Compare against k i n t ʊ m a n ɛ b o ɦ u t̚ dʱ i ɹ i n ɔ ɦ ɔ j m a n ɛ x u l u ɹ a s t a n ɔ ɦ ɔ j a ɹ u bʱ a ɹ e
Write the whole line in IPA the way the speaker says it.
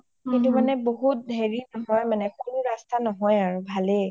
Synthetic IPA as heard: k i n t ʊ m a n ɛ b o ɦ u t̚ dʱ e ɹ i n ɔ ɦ ɔ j m a n ɛ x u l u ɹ a s t a n ɔ ɦ ɔ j a ɹ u bʱ a l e